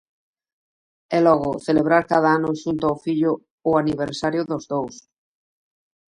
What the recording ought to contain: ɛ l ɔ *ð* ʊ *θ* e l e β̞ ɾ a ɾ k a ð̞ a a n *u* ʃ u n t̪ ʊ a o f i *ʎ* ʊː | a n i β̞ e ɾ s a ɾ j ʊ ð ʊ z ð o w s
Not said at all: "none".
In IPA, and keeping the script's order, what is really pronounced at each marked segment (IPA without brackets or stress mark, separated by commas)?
ɣ, θ, ʊ, ʎ